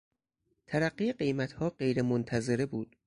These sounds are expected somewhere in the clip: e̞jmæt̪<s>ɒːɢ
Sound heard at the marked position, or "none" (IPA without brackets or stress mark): h